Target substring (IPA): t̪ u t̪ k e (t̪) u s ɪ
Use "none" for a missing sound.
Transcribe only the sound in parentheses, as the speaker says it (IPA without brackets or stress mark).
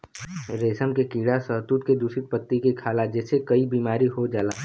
d̪